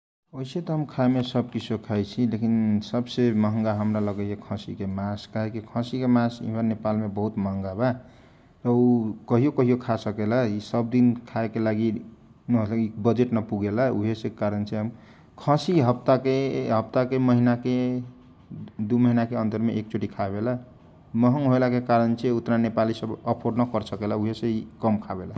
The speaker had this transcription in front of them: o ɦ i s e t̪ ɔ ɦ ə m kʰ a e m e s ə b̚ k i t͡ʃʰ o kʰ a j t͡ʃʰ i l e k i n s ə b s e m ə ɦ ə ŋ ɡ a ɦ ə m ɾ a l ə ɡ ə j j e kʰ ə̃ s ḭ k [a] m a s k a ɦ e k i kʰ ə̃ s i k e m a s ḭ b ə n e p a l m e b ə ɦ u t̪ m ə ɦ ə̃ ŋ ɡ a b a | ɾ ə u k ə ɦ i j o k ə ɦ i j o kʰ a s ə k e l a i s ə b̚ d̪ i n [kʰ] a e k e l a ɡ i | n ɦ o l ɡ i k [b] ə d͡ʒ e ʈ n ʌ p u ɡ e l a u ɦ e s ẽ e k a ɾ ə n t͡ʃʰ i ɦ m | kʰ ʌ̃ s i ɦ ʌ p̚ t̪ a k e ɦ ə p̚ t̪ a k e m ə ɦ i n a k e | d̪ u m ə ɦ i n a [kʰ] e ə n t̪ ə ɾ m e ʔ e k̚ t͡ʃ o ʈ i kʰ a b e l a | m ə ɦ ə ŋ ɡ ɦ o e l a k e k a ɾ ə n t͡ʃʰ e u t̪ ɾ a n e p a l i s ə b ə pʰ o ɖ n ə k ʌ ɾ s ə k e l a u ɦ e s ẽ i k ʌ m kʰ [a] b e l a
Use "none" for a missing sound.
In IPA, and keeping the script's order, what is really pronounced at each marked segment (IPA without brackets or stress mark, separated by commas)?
e, kʰ, b, k, a